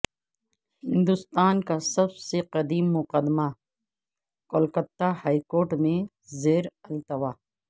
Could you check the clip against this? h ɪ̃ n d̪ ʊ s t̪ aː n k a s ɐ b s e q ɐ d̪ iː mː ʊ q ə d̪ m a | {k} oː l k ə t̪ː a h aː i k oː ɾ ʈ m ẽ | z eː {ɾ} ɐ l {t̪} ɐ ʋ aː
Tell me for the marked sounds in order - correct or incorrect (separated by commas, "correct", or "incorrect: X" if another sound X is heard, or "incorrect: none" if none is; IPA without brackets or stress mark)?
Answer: correct, correct, correct